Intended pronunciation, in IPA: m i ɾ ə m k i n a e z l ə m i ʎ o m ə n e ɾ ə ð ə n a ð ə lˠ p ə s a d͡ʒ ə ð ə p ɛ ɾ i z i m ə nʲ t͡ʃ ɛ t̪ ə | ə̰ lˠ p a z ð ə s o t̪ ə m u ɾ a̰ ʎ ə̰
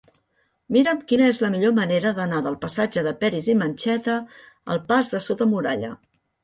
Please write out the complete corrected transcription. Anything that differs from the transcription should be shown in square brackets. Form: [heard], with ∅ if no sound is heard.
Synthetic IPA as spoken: m i ɾ ə m k i n [ə] e z l ə m i ʎ o m ə n e ɾ ə ð ə n a ð ə lˠ p ə s a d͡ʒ ə ð ə p ɛ ɾ i z i m ə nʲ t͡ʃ ɛ t̪ ə | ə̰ lˠ p a z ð ə s o t̪ ə m u ɾ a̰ ʎ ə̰